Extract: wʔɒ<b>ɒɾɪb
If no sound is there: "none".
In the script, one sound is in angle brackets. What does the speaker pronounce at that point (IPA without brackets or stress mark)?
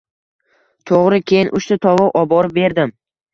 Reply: b